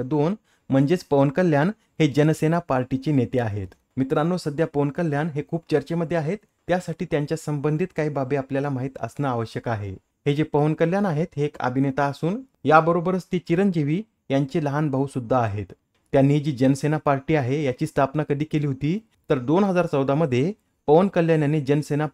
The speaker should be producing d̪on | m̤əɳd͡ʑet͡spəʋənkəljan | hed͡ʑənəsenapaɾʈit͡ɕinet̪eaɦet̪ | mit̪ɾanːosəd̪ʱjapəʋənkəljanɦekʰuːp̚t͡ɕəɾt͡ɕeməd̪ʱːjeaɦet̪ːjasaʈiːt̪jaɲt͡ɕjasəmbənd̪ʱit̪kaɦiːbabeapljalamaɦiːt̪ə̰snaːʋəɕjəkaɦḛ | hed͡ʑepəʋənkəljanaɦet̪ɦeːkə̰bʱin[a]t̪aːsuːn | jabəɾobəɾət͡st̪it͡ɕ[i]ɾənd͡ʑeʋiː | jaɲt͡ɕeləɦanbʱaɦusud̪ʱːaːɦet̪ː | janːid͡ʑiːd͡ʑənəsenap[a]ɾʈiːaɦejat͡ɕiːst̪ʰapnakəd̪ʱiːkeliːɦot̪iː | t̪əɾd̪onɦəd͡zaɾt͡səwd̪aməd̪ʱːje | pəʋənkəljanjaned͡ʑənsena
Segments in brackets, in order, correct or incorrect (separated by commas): incorrect, correct, correct